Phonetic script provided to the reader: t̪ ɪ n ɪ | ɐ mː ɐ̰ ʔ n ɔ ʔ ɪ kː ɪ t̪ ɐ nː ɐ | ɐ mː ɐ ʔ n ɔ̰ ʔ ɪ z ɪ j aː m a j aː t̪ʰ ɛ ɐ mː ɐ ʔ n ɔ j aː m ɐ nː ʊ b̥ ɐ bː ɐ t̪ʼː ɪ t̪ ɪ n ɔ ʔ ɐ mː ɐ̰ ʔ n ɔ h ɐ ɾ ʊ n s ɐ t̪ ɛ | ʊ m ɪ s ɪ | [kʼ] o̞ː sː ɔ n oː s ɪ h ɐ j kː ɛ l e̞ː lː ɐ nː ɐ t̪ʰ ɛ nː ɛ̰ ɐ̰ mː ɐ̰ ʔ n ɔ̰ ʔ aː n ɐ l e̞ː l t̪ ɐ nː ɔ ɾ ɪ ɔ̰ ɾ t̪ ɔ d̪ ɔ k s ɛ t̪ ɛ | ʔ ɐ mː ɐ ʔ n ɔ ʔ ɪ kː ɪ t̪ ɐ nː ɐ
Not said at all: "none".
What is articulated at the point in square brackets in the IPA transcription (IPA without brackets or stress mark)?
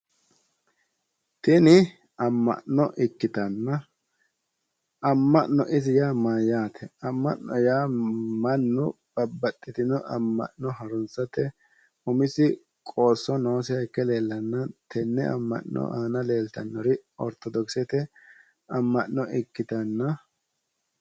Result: kʼ